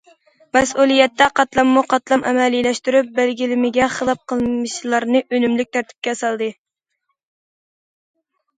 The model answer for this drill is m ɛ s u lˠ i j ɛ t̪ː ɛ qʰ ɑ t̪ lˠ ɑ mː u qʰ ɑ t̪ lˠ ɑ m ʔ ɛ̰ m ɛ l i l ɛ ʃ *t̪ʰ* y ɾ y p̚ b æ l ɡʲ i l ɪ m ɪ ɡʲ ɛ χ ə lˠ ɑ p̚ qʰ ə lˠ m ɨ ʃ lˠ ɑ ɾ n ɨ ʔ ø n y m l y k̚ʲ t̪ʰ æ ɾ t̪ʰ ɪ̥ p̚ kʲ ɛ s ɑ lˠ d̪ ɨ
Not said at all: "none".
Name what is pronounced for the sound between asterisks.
t̪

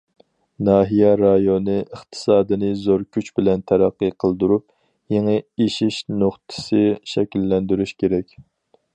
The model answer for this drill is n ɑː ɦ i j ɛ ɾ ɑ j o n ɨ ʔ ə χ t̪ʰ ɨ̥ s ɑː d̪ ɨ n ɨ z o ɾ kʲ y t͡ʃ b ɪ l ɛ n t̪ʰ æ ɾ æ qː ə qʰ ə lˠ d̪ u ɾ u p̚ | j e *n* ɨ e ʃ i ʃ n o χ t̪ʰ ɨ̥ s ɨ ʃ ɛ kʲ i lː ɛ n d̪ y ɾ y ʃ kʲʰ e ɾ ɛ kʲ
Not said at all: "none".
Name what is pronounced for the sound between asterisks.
ŋ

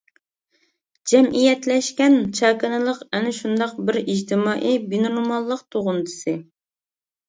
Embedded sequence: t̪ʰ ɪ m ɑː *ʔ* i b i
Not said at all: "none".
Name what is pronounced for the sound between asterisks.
ʔ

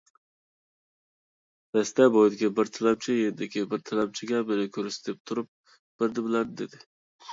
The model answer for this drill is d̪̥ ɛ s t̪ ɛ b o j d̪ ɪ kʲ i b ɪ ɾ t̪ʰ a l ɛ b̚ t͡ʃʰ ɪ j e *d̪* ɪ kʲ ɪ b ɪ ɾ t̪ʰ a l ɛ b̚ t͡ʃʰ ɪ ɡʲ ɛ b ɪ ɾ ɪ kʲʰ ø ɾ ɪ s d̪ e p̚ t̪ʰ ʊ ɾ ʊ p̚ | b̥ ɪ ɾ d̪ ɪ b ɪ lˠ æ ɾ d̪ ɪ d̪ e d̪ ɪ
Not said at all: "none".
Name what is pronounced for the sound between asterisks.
d̪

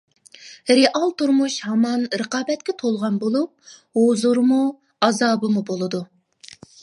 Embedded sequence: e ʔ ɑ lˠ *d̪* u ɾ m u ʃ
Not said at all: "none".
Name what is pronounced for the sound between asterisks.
t̪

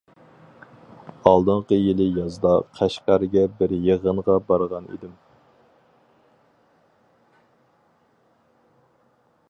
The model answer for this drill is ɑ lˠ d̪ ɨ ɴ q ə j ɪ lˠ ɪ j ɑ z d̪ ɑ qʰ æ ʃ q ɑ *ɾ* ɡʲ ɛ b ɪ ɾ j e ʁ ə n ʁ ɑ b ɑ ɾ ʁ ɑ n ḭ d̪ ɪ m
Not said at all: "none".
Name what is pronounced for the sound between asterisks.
ɾ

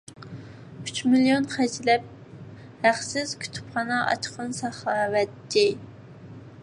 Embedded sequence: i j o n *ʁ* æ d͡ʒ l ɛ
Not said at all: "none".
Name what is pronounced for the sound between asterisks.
χ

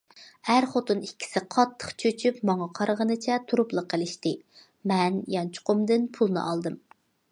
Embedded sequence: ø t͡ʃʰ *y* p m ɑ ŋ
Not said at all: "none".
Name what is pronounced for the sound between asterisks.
y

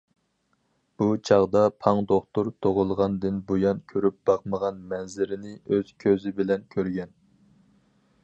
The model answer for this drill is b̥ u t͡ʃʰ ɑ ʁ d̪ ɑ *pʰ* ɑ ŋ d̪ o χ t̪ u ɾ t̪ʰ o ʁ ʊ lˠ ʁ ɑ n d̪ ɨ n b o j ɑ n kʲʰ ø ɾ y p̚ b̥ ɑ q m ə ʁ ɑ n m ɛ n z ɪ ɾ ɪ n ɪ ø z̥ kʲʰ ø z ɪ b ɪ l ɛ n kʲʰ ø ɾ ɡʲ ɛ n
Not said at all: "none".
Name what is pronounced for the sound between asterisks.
pʰ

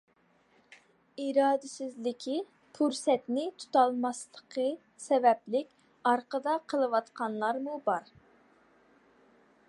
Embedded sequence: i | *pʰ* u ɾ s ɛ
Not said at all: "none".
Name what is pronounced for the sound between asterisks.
pʰ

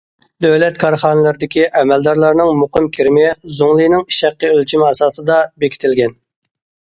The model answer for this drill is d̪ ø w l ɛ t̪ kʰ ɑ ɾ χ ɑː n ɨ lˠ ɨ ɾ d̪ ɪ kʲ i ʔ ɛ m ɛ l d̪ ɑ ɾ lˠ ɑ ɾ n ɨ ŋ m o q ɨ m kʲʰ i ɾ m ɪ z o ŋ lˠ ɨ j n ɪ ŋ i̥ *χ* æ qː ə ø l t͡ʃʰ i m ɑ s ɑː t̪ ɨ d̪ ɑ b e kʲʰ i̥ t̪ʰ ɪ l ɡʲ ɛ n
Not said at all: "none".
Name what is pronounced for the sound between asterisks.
ʃ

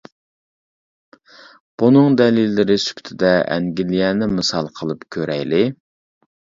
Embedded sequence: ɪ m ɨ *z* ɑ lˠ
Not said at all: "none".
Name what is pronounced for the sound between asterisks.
s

